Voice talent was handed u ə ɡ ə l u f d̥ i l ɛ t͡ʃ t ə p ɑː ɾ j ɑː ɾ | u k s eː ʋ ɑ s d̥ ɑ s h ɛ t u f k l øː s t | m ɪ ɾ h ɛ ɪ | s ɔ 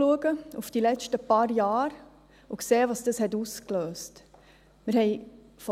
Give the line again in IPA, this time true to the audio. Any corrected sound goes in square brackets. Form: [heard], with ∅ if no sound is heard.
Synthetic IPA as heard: u ə ɡ ə [∅] u f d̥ i l ɛ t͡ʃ t ə p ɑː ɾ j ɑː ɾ | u k s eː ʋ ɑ s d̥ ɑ s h ɛ t u [s] k l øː s t | m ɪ ɾ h ɛ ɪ | [f] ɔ